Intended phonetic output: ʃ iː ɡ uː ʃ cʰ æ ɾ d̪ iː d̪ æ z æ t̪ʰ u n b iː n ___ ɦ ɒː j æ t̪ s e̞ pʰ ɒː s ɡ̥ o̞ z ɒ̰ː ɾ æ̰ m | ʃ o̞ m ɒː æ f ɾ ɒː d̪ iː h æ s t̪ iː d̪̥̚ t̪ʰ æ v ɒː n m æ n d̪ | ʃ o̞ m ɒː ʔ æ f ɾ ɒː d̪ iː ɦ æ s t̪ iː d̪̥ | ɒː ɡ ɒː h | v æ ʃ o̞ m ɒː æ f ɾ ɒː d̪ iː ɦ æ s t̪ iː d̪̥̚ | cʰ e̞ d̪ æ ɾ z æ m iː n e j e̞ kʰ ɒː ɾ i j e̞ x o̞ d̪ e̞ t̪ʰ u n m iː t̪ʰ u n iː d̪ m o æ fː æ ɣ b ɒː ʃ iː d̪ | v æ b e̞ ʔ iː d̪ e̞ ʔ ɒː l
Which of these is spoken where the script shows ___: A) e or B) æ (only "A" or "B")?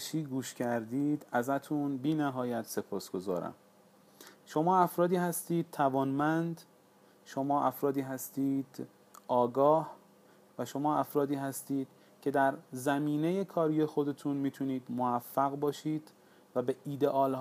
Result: B